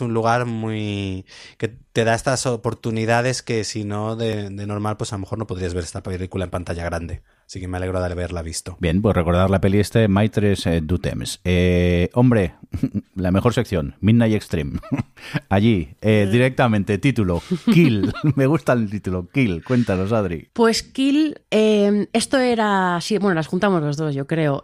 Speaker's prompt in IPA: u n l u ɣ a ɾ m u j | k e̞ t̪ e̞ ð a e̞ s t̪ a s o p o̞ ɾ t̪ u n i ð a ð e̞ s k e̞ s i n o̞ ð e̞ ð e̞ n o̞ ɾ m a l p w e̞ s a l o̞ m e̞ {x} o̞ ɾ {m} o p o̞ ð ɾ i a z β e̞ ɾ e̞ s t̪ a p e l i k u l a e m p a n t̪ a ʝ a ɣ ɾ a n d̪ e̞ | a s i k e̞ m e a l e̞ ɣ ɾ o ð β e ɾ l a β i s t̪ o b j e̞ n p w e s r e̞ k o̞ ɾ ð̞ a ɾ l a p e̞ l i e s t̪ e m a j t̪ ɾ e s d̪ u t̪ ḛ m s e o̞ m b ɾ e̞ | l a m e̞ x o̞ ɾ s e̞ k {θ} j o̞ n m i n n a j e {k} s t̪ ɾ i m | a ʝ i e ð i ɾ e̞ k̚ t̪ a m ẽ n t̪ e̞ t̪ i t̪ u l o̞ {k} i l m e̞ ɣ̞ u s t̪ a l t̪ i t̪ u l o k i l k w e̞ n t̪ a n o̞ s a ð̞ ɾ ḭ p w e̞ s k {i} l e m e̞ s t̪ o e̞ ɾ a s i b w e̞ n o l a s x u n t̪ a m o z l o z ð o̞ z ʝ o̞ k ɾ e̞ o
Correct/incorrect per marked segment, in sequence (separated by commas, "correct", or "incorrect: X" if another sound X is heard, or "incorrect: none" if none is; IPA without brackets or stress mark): correct, incorrect: n, correct, correct, correct, correct